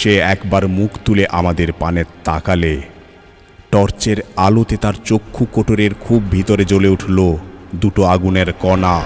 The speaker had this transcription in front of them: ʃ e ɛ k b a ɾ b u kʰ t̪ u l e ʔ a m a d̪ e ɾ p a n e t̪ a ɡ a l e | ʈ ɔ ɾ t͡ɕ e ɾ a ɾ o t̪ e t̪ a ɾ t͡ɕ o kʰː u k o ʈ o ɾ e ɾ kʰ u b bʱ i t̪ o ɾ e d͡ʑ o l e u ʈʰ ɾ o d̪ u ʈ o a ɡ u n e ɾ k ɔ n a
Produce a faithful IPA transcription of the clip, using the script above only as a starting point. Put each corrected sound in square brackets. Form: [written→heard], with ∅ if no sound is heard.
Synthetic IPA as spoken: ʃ e ɛ k b a ɾ [b→m] u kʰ t̪ u l e ʔ a m a d̪ e ɾ p a n e t̪ a [ɡ→k] a l e | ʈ ɔ ɾ t͡ɕ e ɾ a [ɾ→l] o t̪ e t̪ a ɾ t͡ɕ o kʰː u k o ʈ o ɾ e ɾ kʰ u b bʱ i t̪ o ɾ e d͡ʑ o l e u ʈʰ [ɾ→l] o d̪ u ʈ o a ɡ u n e ɾ k ɔ n a